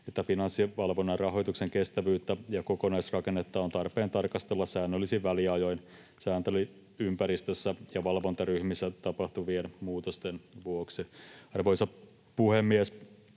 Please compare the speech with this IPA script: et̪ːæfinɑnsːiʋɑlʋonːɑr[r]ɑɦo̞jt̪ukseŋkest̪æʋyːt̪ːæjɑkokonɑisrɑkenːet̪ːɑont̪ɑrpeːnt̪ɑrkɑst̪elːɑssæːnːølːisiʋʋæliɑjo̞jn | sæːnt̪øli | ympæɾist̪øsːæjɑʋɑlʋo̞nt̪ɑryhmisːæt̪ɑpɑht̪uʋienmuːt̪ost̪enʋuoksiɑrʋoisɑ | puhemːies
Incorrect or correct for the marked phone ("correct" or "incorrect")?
correct